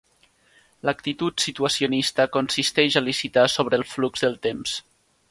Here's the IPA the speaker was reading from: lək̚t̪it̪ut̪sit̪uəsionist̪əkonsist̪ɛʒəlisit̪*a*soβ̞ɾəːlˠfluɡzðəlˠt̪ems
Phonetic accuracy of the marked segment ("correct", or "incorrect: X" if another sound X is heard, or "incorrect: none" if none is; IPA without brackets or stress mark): correct